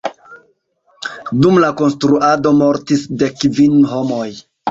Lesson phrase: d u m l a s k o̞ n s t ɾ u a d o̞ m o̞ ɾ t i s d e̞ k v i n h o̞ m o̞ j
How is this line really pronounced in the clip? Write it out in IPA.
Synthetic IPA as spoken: d u m l a k o̞ n s t ɾ u a d o̞ m o̞ ɾ t i s d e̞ k v i n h o̞ m o̞ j